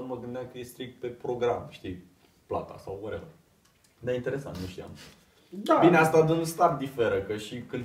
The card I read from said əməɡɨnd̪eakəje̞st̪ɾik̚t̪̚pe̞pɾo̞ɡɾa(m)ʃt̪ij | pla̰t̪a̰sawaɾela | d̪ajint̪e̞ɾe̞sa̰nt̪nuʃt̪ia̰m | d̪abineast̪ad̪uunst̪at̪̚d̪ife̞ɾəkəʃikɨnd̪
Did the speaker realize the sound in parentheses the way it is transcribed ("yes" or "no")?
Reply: yes